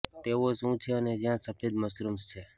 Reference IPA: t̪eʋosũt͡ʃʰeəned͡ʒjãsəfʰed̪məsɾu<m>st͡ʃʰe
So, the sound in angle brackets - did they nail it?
yes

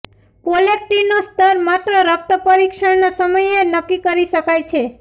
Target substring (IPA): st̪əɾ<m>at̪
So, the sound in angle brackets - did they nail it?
yes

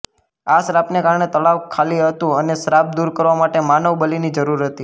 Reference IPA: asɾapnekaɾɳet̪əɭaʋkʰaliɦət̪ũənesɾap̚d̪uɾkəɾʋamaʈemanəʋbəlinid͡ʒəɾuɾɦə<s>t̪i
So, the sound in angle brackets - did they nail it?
no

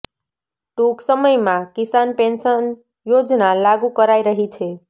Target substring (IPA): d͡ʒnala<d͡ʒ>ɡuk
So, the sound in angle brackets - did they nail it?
no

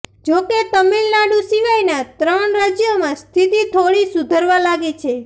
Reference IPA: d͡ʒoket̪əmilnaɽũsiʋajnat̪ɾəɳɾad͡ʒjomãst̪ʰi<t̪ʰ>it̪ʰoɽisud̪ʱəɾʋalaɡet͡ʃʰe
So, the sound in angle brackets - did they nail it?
no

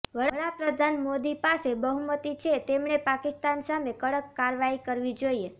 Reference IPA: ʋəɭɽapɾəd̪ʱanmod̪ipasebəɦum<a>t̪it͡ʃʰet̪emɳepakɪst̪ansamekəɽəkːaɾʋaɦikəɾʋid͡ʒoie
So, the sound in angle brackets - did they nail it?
no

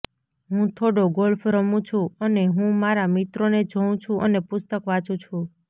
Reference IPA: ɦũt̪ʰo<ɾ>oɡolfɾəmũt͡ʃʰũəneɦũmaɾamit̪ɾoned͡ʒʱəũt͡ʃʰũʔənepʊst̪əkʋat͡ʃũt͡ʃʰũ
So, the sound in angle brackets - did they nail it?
no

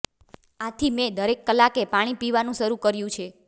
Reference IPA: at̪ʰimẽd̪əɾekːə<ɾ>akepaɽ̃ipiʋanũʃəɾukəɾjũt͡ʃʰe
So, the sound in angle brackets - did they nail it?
no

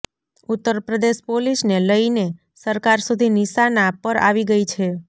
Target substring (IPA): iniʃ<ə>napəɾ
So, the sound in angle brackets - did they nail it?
no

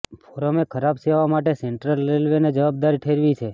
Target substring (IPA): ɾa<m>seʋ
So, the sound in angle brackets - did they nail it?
no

